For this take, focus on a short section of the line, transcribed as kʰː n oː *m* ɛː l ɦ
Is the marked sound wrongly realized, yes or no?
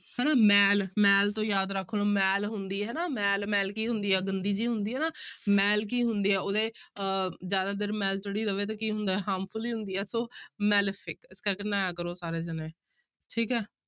no